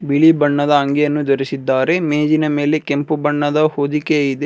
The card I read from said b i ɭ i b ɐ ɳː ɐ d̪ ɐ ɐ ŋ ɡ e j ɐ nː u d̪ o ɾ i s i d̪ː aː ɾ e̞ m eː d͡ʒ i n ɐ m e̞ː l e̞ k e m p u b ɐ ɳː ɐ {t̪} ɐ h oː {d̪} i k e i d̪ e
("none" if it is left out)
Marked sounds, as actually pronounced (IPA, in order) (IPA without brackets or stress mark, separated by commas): d̪, d̪